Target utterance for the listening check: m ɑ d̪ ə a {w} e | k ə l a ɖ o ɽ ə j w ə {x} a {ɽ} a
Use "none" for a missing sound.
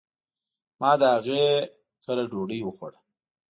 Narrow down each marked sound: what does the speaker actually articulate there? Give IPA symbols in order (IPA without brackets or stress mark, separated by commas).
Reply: ɣ, x, ɽ